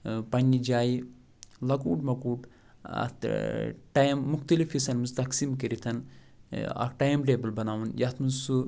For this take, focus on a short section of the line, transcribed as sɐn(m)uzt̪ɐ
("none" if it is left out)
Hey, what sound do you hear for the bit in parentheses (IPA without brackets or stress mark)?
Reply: m